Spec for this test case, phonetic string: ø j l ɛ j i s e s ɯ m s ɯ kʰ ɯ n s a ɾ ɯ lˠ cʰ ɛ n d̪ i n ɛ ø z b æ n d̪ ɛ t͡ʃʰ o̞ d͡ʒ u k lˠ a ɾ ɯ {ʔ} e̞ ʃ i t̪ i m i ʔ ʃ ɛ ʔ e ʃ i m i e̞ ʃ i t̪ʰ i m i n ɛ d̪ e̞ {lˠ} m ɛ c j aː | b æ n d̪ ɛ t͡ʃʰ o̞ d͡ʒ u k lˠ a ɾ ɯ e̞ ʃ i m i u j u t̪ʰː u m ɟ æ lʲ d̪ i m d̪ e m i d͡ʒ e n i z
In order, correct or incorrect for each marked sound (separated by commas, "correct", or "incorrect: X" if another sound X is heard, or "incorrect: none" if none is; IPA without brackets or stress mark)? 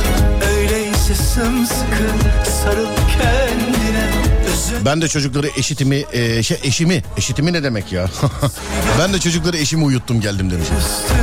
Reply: correct, incorrect: none